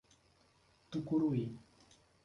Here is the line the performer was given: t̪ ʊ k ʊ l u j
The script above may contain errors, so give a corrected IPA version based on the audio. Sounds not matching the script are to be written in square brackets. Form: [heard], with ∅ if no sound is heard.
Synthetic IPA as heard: t̪ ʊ k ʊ [ɾ] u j